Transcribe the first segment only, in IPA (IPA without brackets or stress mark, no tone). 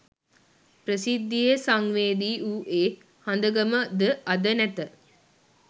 p